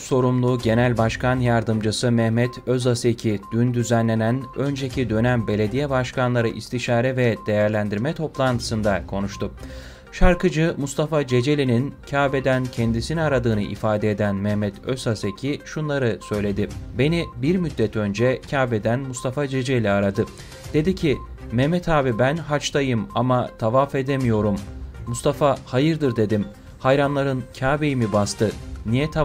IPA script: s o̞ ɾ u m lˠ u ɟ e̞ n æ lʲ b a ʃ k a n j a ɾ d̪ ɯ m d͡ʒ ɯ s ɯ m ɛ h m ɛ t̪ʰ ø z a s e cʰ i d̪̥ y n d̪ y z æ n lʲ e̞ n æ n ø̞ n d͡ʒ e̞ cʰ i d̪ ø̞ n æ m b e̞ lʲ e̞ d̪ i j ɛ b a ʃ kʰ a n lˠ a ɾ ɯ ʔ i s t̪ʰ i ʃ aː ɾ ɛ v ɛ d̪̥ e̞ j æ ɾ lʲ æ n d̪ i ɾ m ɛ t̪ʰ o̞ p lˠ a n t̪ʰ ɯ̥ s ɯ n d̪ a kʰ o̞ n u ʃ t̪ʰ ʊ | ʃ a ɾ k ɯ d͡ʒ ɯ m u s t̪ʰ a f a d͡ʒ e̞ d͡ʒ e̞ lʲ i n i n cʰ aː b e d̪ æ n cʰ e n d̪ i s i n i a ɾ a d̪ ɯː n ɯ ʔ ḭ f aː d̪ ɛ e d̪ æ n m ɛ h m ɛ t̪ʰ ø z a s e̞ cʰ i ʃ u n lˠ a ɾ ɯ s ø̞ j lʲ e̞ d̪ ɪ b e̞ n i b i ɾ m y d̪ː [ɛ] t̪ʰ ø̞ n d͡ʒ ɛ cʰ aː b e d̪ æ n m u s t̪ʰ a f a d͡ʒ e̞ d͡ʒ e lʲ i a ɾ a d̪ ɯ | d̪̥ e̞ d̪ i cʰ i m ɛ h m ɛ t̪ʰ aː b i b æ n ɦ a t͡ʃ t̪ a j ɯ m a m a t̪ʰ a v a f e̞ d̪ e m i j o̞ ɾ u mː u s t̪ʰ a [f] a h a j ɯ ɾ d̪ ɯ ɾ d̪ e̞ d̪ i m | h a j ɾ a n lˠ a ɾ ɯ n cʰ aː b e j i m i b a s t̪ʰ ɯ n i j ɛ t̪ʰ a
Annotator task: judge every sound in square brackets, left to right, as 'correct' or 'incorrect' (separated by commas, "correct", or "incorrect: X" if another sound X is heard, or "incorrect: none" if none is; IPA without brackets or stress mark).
correct, correct